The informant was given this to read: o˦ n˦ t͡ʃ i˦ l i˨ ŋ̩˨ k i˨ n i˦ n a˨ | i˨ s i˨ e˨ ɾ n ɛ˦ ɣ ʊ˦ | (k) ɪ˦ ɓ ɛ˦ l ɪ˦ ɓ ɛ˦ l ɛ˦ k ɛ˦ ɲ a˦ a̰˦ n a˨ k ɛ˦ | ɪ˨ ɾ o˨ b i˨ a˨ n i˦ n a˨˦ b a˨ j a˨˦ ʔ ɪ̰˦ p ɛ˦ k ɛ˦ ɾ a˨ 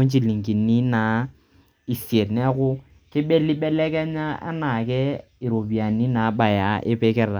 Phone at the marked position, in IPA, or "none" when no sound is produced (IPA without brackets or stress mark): k